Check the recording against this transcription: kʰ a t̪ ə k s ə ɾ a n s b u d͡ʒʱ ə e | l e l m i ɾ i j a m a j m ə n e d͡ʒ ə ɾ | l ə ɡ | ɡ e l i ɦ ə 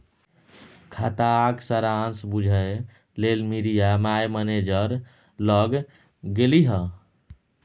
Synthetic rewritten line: kʰ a t̪ a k s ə ɾ a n s b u d͡ʒʱ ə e | l e l m i ɾ i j a m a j m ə n e d͡ʒ ə ɾ | l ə ɡ | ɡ e l i ɦ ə